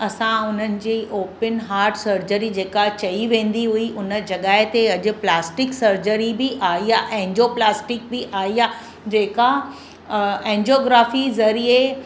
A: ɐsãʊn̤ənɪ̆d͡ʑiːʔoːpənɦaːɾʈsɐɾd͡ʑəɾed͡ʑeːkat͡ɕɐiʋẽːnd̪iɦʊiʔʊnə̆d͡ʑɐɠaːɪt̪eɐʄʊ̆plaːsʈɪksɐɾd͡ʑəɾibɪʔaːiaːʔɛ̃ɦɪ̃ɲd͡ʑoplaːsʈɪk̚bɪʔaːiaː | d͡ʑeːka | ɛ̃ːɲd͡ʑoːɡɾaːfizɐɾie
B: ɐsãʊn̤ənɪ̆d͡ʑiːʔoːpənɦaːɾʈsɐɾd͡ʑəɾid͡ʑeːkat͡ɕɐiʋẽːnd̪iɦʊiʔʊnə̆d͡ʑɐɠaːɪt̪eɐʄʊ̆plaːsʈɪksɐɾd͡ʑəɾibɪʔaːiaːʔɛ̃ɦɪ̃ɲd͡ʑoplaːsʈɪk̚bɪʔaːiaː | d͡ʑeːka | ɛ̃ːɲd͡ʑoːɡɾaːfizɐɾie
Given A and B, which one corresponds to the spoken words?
B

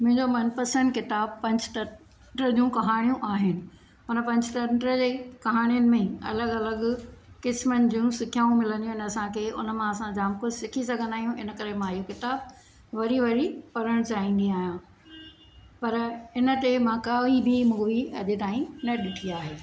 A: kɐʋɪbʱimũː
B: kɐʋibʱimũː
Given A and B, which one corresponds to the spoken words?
B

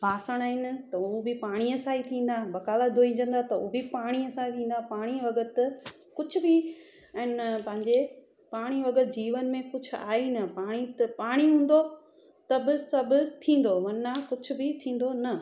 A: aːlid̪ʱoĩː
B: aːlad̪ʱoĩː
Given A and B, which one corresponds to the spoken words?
B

